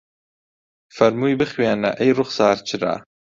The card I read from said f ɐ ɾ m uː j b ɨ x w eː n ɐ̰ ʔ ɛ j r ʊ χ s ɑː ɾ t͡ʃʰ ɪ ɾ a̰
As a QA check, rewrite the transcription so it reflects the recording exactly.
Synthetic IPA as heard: f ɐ ɾ m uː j b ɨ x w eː n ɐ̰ ʔ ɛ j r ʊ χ s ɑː ɾ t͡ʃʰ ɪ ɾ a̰

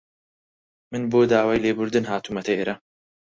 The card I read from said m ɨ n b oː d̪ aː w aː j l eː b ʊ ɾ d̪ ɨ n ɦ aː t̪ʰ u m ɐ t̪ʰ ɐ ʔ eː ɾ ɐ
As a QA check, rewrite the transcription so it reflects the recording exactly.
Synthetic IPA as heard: m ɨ n b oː d̪ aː w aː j l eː b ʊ ɾ d̪ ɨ n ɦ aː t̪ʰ u m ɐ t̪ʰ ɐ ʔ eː ɾ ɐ

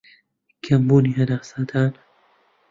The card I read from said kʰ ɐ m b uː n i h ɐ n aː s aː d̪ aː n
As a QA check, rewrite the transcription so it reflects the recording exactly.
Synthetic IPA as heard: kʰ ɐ m b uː n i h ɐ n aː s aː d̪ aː n

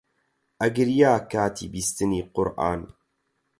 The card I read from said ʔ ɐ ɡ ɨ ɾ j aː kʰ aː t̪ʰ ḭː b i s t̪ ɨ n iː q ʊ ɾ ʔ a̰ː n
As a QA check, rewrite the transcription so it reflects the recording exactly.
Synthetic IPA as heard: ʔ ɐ ɡ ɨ ɾ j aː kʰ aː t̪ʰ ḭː b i s t̪ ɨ n iː q ʊ ɾ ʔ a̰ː n

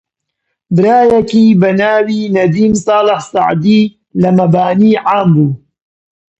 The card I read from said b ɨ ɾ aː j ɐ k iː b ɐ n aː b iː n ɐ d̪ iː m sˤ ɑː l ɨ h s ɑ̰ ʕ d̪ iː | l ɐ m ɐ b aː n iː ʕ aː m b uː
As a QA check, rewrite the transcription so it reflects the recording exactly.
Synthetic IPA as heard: b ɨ ɾ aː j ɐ k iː b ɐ n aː w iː n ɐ d̪ iː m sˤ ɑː l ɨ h s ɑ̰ ʕ d̪ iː | l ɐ m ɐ b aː n iː ʕ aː m b uː

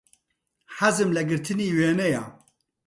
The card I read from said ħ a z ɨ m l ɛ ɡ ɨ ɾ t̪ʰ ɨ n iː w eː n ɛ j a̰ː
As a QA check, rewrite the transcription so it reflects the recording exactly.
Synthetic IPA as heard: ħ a z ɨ m l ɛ ɡ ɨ ɾ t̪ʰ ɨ n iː w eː n ɛ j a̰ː

